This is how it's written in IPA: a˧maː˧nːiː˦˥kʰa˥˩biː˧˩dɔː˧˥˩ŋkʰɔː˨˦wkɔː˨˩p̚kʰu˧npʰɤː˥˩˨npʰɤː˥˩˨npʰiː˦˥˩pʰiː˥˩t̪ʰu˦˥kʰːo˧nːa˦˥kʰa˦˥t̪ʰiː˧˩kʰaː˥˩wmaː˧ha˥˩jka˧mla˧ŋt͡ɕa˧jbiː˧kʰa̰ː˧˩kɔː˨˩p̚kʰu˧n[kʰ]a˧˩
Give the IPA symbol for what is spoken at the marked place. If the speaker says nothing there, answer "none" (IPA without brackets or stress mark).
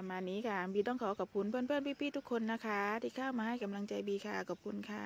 kʰ